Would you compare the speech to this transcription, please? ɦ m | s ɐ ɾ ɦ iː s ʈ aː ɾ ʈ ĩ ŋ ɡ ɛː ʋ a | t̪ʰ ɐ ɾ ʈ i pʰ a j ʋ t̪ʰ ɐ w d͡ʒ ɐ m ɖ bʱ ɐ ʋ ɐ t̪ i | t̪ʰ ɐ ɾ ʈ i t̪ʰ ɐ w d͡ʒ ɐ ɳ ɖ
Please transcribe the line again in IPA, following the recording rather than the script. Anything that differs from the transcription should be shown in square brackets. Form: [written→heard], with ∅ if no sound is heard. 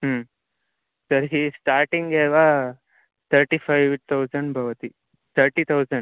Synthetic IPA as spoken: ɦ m | s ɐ ɾ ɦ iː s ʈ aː ɾ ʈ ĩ ŋ ɡ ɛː ʋ a | t̪ʰ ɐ ɾ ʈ i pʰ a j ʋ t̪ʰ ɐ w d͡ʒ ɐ [m→ɳ] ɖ bʱ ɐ ʋ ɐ t̪ i | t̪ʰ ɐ ɾ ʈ i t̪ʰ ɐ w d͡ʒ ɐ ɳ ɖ